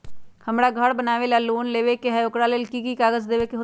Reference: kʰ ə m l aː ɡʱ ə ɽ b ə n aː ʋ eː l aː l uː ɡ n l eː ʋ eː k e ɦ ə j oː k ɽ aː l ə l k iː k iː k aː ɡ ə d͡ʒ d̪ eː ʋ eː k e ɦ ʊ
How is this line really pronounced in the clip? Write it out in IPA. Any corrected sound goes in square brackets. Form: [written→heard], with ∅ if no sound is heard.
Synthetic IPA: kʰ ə m [l→ɽ] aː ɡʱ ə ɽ b ə n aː ʋ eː l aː l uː [ɡ→∅] n l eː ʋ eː k e ɦ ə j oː k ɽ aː l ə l k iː k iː k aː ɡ ə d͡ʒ d̪ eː ʋ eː k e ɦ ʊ